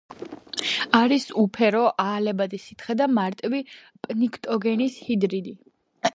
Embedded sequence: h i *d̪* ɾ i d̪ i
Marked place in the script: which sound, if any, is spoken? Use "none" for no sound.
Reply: d̪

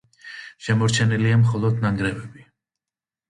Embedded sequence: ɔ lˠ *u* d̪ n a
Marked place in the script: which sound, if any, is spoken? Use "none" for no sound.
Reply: ɔ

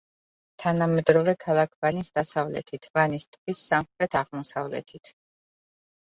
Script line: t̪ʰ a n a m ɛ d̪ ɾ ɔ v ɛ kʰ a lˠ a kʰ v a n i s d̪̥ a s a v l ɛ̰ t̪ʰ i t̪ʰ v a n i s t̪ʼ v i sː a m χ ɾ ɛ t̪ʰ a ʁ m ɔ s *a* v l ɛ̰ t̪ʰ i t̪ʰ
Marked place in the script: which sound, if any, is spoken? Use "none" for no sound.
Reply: a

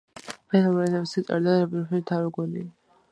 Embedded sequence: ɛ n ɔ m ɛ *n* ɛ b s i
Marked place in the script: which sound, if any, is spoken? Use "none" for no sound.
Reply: n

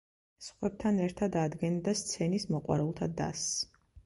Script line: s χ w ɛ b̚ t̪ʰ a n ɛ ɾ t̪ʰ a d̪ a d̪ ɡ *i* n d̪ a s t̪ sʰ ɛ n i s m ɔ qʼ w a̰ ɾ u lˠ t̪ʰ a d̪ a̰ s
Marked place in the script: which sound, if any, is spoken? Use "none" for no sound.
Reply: ɛ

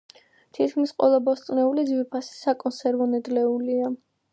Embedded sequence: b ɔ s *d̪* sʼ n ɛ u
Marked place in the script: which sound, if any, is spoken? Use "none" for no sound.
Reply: t̪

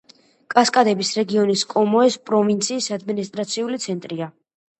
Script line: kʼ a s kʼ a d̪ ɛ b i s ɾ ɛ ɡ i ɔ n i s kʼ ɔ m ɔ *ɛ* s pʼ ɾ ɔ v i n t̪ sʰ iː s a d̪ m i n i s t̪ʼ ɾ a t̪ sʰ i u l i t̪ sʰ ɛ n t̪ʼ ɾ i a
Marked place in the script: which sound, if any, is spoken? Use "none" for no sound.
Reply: ɛ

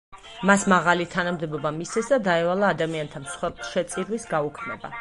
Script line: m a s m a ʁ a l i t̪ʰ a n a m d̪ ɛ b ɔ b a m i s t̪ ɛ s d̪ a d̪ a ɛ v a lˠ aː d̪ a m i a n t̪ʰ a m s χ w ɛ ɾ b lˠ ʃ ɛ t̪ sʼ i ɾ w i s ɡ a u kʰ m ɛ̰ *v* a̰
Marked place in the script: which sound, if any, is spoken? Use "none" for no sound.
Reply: b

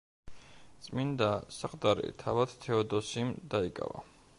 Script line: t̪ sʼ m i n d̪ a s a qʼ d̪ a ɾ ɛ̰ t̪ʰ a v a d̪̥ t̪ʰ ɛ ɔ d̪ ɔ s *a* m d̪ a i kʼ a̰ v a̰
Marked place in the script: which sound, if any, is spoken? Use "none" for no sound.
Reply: i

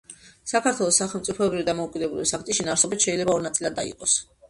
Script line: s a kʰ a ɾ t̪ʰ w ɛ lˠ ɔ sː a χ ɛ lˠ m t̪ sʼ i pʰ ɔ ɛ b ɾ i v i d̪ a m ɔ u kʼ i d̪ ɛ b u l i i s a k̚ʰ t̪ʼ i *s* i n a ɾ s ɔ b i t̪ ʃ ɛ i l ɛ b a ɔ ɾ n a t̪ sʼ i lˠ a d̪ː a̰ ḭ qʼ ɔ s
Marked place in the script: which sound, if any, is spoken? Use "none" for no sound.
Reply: ʃ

